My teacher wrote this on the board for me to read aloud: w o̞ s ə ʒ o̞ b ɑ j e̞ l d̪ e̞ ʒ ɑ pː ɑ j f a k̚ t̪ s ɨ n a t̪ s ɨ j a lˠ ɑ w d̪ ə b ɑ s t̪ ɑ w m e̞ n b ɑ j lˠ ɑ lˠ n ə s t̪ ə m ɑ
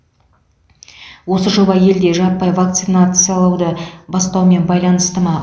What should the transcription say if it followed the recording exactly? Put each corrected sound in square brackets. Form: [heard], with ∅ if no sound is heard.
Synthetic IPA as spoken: w o̞ s ə ʒ o̞ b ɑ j e̞ l d̪ e̞ ʒ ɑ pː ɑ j [v] a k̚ t̪ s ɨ n a t̪ s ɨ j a lˠ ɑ w d̪ ə b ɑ s t̪ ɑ w m e̞ n b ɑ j lˠ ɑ [∅] n ə s t̪ ə m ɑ